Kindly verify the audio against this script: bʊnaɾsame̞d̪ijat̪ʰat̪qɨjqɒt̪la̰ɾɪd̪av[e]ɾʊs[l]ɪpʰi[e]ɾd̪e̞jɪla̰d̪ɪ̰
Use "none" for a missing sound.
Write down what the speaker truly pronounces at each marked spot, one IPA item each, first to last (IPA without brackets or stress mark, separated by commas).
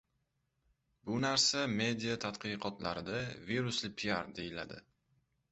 i, l, a